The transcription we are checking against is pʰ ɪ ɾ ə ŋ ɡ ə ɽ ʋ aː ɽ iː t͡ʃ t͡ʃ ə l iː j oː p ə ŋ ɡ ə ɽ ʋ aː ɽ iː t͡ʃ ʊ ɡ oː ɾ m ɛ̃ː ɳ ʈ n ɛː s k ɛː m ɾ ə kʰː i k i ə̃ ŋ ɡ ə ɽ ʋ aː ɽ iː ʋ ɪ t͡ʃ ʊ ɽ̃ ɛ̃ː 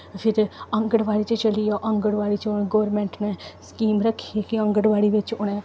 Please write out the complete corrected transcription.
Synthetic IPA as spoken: pʰ ɪ ɾ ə ŋ ɡ ə ɽ ʋ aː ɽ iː t͡ʃ t͡ʃ ə l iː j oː ʔ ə ŋ ɡ ə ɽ ʋ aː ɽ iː t͡ʃ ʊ ɡ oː ɾ m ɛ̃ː ɳ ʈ n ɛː s k iː m ɾ ə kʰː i k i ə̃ ŋ ɡ ə ɽ ʋ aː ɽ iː ʋ ɪ t͡ʃ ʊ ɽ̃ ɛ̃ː